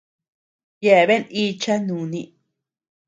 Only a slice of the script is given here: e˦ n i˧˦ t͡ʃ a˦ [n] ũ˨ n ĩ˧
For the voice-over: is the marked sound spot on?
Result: yes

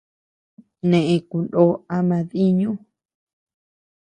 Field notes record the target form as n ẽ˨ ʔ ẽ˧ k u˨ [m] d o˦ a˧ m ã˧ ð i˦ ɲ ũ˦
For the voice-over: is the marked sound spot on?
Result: no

